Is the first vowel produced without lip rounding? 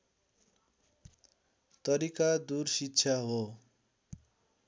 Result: yes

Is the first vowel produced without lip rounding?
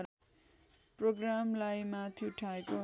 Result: no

